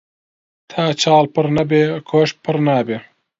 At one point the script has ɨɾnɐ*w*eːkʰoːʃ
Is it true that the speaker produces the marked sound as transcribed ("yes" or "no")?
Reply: no